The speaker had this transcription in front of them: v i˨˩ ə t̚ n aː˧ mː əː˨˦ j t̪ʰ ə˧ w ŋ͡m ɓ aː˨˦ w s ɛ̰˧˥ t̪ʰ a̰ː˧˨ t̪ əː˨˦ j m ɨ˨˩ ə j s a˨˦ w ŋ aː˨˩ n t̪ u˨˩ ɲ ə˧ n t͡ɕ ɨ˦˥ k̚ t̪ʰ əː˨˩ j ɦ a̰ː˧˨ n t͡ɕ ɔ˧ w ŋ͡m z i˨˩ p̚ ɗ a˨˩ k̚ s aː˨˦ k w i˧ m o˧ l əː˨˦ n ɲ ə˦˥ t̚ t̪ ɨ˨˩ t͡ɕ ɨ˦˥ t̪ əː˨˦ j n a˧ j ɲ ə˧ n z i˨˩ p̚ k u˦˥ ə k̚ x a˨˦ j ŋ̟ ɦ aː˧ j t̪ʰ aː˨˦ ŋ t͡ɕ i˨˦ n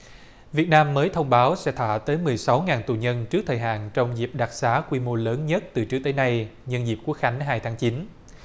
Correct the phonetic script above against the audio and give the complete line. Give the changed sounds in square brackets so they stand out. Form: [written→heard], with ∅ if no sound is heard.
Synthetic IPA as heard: v i˨˩ ə t̚ n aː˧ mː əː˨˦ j t̪ʰ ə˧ w ŋ͡m ɓ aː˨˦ w s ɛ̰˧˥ t̪ʰ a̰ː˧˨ t̪ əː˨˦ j m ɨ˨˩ ə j s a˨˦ w ŋ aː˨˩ n t̪ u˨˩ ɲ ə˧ n t͡ɕ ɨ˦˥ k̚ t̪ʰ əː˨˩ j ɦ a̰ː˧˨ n t͡ɕ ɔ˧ w ŋ͡m z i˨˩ p̚ ɗ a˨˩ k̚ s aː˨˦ k w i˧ m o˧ l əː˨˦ n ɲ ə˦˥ t̚ t̪ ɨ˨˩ t͡ɕ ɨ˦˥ t̪ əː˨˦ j n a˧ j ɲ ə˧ n z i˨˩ p̚ k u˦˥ ə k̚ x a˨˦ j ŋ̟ ɦ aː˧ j t̪ʰ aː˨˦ ŋ t͡ɕ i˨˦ n

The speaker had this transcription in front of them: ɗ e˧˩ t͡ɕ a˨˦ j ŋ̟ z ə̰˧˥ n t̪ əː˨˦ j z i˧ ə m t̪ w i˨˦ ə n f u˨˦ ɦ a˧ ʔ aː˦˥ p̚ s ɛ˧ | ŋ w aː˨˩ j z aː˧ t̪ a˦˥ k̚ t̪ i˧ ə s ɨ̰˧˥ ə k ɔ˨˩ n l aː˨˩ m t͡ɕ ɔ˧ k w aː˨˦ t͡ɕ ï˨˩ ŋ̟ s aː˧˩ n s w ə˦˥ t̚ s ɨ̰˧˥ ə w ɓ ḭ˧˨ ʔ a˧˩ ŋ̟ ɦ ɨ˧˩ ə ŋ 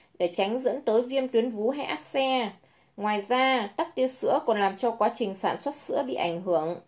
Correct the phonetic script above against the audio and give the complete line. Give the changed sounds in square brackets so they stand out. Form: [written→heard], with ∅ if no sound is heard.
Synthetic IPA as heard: ɗ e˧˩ t͡ɕ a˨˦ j ŋ̟ z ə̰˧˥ n t̪ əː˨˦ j [z→v] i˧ ə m t̪ w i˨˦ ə n [f→v] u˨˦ ɦ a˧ ʔ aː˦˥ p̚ s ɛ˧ | ŋ w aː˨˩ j z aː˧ t̪ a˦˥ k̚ t̪ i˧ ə s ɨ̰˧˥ ə k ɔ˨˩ n l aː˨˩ m t͡ɕ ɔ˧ k w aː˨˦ t͡ɕ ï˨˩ ŋ̟ s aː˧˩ n s w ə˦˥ t̚ s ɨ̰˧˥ ə [w→∅] ɓ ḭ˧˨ ʔ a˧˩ ŋ̟ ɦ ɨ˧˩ ə ŋ

